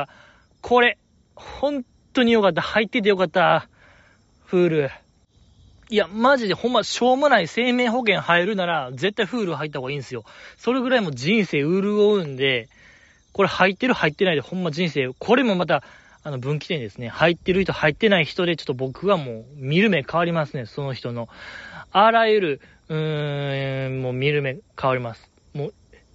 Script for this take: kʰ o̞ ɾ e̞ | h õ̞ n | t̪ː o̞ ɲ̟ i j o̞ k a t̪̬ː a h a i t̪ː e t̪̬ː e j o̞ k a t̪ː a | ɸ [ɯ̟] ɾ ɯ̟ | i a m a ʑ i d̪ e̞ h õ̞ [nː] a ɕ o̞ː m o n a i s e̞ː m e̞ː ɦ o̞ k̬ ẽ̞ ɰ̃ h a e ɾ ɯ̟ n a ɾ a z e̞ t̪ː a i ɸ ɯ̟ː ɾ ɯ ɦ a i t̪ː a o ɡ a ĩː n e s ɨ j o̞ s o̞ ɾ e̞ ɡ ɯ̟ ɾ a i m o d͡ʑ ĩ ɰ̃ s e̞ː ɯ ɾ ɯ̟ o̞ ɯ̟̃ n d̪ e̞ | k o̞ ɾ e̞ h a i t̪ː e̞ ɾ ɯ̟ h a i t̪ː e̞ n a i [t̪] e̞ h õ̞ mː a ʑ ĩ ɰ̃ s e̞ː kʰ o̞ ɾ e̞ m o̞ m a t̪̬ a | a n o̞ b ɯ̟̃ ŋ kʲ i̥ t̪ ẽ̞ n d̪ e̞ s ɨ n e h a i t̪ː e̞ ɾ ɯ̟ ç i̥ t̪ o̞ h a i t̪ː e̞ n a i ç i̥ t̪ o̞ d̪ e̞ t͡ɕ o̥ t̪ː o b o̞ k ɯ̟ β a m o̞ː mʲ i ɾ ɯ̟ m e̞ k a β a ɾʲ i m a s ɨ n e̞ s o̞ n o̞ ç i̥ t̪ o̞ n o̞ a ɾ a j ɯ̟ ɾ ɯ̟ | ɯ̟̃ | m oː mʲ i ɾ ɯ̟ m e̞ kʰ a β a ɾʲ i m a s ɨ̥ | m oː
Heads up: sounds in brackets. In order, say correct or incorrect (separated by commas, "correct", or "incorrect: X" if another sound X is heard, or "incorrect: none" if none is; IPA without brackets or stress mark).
incorrect: ɯ̟ː, incorrect: mː, incorrect: d̪